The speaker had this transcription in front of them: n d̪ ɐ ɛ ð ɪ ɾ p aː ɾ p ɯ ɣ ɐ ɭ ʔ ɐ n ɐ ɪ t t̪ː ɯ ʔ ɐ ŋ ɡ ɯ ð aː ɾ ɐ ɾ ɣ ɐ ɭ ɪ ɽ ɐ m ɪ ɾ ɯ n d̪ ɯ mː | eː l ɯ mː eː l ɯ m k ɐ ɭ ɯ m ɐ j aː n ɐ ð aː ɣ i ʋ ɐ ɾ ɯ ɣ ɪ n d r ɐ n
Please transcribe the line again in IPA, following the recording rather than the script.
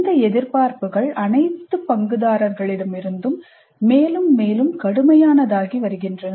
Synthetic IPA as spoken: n d̪ ɐ ɛ ð ɪ ɾ p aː ɾ p ɯ ɣ ɐ ɭ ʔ ɐ n ɐ ɪ t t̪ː ɯ p ɐ ŋ ɡ ɯ ð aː ɾ ɐ ɾ ɣ ɐ ɭ ɪ ɽ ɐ m ɪ ɾ ɯ n d̪ ɯ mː | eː l ɯ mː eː l ɯ m k ɐ ɽ ɯ m ɐ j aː n ɐ ð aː ɣ i ʋ ɐ ɾ ɯ ɣ ɪ n d r ɐ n

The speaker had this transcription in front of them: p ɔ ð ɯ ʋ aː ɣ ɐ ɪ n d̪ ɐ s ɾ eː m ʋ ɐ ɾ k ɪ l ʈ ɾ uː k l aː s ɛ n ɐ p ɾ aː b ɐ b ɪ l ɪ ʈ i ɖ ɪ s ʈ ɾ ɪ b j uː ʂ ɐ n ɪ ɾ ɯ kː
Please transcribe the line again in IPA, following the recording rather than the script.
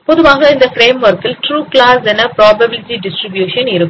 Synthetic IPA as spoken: p ɔ ð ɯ ʋ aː ɣ ɐ ɪ n d̪ ɐ f ɾ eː m ʋ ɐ ɾ k ɪ l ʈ ɾ uː k l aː s ɛ n ɐ p ɾ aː b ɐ b ɪ l ɪ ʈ i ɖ ɪ s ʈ ɾ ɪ b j uː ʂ ɐ n ɪ ɾ ɯ kː

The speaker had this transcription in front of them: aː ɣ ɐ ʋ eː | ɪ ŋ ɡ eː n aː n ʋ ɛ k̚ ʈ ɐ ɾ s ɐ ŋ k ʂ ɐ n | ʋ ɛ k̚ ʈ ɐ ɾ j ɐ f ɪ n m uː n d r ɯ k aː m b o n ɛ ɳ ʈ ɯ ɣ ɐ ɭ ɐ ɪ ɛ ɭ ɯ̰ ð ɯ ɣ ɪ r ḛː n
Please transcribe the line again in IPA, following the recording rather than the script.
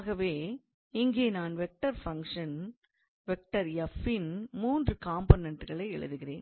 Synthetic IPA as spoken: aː ɣ ɐ ʋ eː | ɪ ŋ ɡ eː n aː n ʋ ɛ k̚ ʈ ɐ ɾ f ɐ ŋ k ʂ ɐ n | ʋ ɛ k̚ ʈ ɐ ɾ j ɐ f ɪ n m uː n d r ɯ k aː m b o n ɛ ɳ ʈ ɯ ɣ ɐ ɭ ɐ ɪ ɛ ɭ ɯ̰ ð ɯ ɣ ɪ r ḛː n

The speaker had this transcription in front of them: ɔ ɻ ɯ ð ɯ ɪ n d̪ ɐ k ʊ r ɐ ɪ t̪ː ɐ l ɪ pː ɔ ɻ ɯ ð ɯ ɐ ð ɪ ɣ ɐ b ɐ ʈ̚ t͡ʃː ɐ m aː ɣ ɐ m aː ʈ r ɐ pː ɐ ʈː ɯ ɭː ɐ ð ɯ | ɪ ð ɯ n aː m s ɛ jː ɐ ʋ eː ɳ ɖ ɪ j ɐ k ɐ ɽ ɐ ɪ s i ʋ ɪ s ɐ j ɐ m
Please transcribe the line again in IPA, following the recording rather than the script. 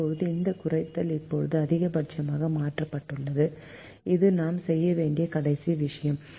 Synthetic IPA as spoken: ɔ ɻ ɯ ð ɯ ɪ n d̪ ɐ k ʊ r ɐ ɪ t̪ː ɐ l ɪ pː ɔ ɻ ɯ ð ɯ ɐ ð ɪ ɣ ɐ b ɐ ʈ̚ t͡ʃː ɐ m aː ɣ ɐ m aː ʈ r ɐ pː ɐ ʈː ɯ ɭː ɐ ð ɯ | ɪ ð ɯ n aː m s ɛ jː ɐ ʋ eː ɳ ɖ ɪ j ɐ k ɐ ɽ ɐ ɪ s i ʋ ɪ ʂ ɐ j ɐ m

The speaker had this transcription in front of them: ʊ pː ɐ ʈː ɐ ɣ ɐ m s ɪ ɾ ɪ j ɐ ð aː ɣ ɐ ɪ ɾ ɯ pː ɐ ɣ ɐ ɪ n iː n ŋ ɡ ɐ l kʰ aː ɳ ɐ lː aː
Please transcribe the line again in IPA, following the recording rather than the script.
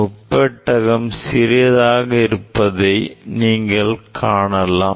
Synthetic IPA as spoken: ʊ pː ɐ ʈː ɐ ɣ ɐ m s ɪ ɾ ɪ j ɐ ð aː ɣ ɐ ɪ ɾ ɯ pː ɐ ð ɐ ɪ n iː ŋ ɡ ɐ ɭ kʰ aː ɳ ɐ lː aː

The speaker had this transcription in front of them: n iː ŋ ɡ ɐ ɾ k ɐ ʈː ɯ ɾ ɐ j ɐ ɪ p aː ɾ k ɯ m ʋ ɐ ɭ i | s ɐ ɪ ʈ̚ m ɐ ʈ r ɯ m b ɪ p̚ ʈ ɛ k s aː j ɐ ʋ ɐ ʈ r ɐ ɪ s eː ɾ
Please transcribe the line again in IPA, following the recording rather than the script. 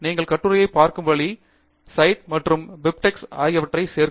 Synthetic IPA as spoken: n iː ŋ ɡ ɐ ɭ k ɐ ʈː ɯ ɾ ɐ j ɐ ɪ p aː ɾ k ɯ m ʋ ɐ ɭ i | s ɐ ɪ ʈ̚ m ɐ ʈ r ɯ m b ɪ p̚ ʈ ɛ k s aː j ɐ ʋ ɐ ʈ r ɐ ɪ s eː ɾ

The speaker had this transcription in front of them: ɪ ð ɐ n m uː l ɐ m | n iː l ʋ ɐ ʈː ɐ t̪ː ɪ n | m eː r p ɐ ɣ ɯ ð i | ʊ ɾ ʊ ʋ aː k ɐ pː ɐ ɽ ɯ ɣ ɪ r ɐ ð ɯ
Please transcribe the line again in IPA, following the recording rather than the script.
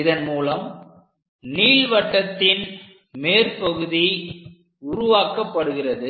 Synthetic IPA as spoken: ɪ ð ɐ n m uː l ɐ m | n iː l ʋ ɐ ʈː ɐ t̪ː ɪ n | m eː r p ɐ ɣ ɯ ð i | ʊ ɾ ʊ ʋ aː k ɐ pː ɐ ɽ ɯ ɣ ɪ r ɐ ð ɯ

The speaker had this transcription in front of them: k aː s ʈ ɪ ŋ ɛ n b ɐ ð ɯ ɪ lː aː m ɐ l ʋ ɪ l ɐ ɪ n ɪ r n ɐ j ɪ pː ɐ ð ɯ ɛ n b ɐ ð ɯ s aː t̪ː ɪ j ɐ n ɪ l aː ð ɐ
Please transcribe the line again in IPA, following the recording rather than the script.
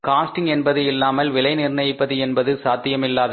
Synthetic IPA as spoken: k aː s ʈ ɪ ŋ ɛ n b ɐ ð ɯ ɪ lː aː m ɐ l ʋ ɪ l ɐ ɪ n ɪ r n ɐ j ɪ pː ɐ ð ɯ ɛ n b ɐ ð ɯ s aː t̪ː ɪ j ɐ m ɪ lː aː ð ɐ

